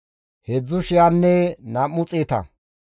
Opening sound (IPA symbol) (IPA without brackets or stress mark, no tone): h